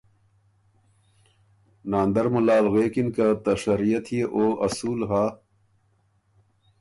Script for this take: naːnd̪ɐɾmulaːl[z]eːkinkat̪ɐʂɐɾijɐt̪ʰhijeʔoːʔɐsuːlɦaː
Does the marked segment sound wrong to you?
yes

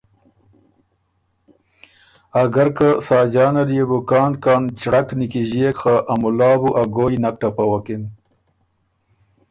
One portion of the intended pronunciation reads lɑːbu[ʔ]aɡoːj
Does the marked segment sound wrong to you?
no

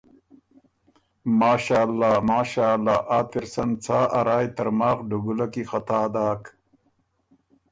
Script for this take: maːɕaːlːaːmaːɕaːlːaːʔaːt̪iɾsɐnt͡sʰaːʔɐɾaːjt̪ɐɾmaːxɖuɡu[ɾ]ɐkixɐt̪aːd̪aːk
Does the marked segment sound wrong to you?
yes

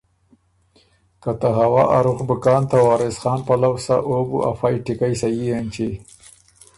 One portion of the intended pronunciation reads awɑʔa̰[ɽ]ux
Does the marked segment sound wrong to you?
yes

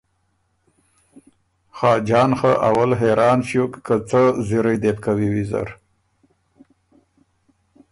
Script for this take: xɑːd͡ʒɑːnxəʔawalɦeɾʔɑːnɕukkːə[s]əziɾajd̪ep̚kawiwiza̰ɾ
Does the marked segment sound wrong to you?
yes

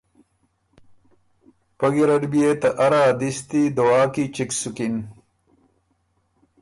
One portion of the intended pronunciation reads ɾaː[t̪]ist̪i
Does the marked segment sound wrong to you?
yes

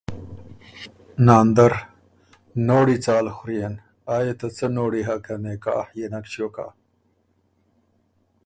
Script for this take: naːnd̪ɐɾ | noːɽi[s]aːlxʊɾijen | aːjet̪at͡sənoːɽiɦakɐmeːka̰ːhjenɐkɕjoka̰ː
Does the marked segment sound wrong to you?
yes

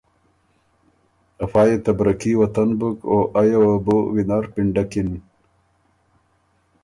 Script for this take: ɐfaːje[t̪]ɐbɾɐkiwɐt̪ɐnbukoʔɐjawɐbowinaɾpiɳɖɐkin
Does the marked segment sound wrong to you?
no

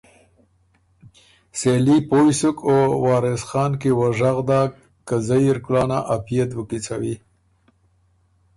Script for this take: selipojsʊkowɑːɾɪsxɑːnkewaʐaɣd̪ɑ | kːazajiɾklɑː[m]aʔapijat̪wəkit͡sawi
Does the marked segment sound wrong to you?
yes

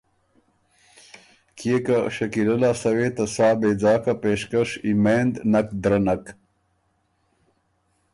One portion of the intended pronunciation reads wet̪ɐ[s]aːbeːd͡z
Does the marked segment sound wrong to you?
no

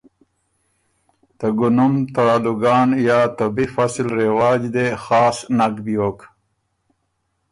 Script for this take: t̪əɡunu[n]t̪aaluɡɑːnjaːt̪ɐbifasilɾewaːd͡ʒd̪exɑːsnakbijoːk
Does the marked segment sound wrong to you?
yes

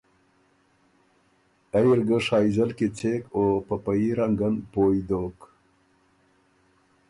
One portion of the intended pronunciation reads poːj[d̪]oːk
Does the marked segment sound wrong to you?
no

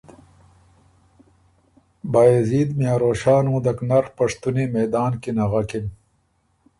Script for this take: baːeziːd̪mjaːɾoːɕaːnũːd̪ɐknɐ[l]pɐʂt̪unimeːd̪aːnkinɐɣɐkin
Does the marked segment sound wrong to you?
yes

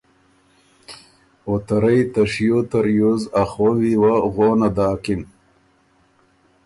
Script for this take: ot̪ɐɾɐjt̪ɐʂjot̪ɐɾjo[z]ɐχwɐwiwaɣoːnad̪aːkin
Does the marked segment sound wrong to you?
no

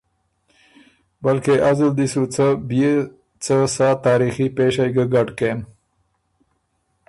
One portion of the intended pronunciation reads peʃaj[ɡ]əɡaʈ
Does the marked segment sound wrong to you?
no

